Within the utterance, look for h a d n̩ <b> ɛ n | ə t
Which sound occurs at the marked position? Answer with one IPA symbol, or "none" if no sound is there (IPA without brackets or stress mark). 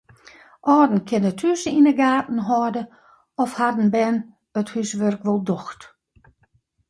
b